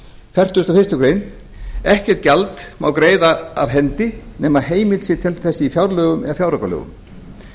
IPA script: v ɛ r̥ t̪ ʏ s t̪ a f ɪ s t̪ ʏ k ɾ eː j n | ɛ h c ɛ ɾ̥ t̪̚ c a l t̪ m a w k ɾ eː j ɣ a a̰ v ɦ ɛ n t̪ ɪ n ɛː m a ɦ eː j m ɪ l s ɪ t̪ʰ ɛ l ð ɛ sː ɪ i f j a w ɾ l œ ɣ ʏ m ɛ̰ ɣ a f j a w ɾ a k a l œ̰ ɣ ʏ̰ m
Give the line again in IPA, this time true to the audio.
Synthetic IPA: f ɛ r̥ t̪ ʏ s t̪ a f ɪ s t̪ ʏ k ɾ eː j n | ɛ h c ɛ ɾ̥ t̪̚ c a l t̪ m a w k ɾ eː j ð a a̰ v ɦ ɛ n t̪ ɪ n ɛː m a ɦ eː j m ɪ l s ɪ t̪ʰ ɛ l θ ɛ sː ɪ i f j a w ɾ l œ ɣ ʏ m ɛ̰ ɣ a f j a w ɾ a k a l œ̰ ɣ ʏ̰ m